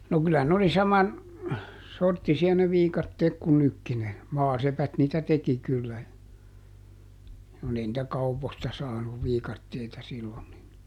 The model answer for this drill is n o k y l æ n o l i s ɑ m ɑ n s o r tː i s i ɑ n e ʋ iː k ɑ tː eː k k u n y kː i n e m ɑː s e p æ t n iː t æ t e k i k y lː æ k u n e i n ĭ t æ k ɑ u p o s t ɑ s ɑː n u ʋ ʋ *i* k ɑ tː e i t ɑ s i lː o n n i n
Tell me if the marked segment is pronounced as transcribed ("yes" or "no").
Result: no